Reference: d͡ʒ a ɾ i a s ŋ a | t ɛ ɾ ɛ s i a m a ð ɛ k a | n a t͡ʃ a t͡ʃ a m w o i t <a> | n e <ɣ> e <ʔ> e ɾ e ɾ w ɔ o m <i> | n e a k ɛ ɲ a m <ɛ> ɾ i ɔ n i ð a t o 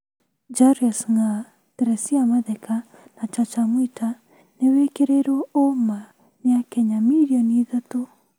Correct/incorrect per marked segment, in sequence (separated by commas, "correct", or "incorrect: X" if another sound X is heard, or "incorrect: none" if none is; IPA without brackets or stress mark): correct, incorrect: w, incorrect: k, incorrect: a, incorrect: i